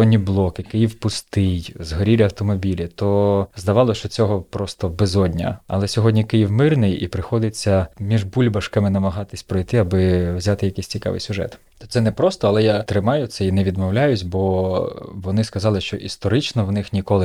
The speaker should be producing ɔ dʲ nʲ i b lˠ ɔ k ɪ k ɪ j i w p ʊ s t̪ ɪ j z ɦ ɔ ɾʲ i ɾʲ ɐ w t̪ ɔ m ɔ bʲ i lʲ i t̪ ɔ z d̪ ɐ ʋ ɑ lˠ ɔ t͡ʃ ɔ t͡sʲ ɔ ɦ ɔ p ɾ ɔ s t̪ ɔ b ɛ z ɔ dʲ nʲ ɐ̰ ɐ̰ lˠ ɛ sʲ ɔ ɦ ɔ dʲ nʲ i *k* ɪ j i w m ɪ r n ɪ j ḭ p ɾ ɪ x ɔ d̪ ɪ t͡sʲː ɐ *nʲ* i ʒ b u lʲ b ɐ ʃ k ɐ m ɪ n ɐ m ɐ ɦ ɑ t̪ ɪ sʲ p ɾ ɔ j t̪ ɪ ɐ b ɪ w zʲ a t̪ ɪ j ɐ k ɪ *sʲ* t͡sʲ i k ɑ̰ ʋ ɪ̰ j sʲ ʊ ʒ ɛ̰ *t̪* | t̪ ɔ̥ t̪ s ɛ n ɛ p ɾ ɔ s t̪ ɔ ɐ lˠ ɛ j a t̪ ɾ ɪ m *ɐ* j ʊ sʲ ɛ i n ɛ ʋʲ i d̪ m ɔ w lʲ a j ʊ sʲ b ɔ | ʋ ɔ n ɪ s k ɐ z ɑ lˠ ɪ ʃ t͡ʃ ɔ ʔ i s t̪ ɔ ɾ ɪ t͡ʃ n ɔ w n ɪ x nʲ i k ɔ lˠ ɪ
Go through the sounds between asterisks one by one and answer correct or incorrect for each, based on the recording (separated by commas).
correct, incorrect, correct, correct, incorrect